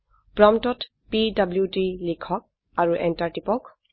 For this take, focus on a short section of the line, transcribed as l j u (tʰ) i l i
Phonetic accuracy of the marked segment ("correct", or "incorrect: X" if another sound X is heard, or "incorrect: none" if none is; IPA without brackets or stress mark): incorrect: t